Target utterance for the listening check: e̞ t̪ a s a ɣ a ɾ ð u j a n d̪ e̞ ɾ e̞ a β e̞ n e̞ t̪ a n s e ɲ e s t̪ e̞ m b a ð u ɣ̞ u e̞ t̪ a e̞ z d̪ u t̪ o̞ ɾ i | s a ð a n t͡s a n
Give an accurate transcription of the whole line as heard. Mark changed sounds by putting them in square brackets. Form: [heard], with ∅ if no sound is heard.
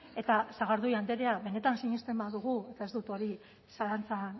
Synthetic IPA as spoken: e̞ t̪ a s a ɣ a ɾ ð u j a n d̪ e̞ ɾ e̞ a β e̞ n e̞ t̪ a n s [i] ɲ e s t̪ e̞ m b a ð u ɣ̞ u e̞ t̪ a e̞ z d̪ u t̪ o̞ ɾ i | s a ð a n t͡s a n